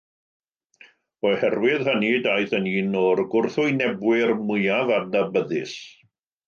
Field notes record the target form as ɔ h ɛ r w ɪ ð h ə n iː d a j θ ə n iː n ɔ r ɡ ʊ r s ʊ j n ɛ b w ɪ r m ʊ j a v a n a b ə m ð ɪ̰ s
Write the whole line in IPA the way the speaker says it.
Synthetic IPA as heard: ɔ h ɛ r w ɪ ð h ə n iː d a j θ ə n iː n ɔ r ɡ ʊ r θ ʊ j n ɛ b w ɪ r m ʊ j a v a n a b ə ð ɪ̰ s